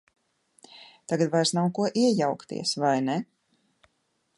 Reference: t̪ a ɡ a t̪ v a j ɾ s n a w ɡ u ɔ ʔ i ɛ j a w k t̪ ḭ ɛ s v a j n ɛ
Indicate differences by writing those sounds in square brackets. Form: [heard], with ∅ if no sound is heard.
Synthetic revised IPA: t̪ a ɡ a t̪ v a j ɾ s n a w [k] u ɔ ʔ i ɛ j a w k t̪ ḭ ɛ s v a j n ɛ

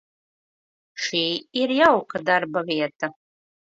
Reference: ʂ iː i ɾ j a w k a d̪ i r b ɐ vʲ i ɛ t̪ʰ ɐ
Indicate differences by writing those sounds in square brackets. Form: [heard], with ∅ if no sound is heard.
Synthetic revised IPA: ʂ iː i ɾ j a w k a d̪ [a] r b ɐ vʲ i ɛ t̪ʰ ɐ

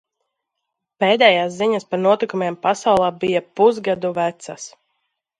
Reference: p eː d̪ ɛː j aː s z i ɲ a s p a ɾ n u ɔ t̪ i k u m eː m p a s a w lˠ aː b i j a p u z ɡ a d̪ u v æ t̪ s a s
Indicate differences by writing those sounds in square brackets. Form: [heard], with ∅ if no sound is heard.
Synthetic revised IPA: p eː d̪ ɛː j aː s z i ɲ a s p a ɾ n u ɔ t̪ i k u m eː m p a s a w lˠ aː b i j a p u z ɡ a d̪ u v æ t̪ s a s

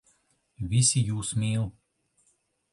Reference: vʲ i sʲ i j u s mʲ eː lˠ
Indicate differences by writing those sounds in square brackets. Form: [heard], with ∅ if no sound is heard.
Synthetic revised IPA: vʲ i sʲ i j [uː] s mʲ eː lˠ

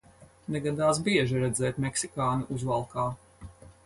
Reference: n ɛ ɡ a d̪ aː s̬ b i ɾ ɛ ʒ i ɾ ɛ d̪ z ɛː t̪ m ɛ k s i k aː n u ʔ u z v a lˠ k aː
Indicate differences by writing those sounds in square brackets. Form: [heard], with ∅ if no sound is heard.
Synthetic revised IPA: n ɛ ɡ a d̪ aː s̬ b i [∅] ɛ ʒ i ɾ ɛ d̪ z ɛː t̪ m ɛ k s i k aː n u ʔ u z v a lˠ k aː

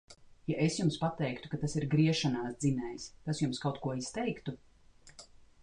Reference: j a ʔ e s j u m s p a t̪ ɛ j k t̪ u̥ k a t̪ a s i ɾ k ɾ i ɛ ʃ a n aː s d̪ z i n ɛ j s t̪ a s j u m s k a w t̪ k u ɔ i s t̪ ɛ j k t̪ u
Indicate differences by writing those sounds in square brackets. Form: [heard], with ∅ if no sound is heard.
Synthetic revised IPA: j a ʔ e s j u m s p a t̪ ɛ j k t̪ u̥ k a t̪ a s i ɾ [ɡ] ɾ i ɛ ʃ a n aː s d̪ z i n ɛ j s t̪ a s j u m s k a w t̪ k u ɔ i s t̪ ɛ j k t̪ u

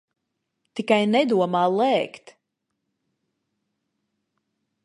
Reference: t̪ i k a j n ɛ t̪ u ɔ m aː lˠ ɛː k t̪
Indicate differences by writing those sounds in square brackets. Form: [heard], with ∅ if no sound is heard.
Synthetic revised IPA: t̪ i k a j n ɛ [d̪] u ɔ m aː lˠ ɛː k t̪

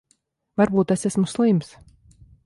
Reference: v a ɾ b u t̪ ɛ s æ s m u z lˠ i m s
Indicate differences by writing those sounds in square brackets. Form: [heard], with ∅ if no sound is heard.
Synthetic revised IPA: v a ɾ b [uː] t̪ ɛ s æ s m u [s] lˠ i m s

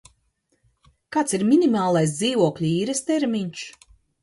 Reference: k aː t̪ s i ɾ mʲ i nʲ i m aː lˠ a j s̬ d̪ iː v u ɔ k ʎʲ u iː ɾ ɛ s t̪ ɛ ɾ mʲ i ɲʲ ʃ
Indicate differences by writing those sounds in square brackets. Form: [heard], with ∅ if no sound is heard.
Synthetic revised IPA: k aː t̪ s i ɾ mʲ i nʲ i m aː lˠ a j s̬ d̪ iː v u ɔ k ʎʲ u iː ɾ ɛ s t̪ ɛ ɾ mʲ i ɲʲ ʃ

